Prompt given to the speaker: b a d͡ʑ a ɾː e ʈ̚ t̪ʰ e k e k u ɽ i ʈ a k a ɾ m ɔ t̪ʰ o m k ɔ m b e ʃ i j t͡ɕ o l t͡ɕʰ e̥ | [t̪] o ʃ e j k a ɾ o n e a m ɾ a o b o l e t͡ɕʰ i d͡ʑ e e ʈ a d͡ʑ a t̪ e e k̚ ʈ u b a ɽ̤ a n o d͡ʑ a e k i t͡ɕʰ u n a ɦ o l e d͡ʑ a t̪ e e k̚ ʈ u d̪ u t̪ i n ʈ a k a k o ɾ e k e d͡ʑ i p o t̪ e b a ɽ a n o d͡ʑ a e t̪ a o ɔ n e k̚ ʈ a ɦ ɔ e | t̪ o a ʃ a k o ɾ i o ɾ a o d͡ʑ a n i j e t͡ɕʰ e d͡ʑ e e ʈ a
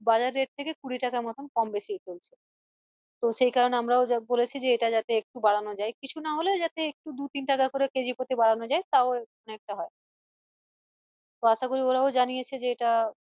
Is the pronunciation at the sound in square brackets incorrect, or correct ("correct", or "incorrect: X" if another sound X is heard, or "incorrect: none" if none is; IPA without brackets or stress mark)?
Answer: correct